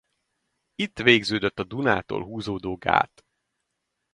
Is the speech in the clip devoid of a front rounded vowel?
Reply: no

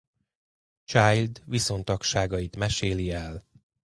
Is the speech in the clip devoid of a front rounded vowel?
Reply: yes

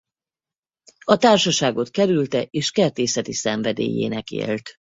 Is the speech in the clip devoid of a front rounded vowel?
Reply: no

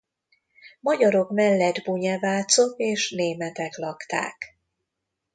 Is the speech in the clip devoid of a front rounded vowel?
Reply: yes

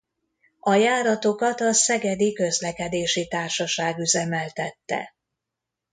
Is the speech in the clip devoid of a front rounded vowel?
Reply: no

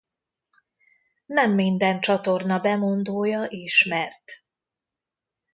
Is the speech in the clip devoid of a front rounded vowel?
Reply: yes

